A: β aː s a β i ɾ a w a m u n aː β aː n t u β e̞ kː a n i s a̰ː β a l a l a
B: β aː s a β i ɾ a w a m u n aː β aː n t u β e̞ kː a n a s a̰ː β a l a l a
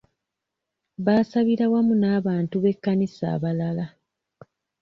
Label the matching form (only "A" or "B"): A